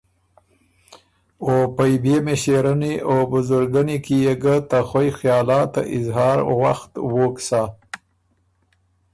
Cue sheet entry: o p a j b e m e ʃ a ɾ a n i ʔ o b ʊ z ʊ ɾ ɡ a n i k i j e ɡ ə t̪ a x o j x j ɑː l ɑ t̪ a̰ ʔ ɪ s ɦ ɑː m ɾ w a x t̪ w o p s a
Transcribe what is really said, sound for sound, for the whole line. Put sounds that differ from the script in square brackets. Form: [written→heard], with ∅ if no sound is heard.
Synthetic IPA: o p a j b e m e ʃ [a→e] ɾ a n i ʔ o b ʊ z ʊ ɾ ɡ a n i k i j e ɡ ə t̪ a x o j x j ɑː l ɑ t̪ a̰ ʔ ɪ [s→z] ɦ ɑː [m→∅] ɾ w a x t̪ w o [p→k] s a